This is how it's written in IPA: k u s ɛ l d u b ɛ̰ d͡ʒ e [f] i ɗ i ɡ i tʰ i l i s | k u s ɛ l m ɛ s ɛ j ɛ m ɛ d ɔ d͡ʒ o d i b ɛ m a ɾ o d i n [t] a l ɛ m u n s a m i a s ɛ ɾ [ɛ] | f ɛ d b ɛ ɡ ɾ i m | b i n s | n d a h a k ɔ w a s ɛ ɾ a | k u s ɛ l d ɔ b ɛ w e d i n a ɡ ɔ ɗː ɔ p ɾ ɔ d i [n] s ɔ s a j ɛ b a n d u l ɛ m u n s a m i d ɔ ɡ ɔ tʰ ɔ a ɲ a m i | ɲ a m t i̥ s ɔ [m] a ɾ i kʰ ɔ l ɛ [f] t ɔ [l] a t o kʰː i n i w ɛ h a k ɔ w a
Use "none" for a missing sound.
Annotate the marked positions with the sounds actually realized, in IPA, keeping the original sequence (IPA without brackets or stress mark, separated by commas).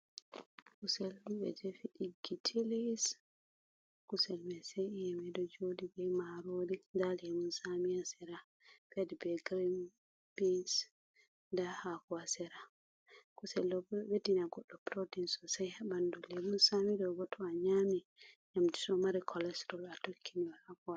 f, d, a, n, m, s, l